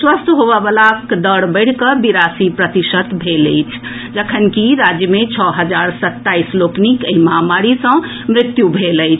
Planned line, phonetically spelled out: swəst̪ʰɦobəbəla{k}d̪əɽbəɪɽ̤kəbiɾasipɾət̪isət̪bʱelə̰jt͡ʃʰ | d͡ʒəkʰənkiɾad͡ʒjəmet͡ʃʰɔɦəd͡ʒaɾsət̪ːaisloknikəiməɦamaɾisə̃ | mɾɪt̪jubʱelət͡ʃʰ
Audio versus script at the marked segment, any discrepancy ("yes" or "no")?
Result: no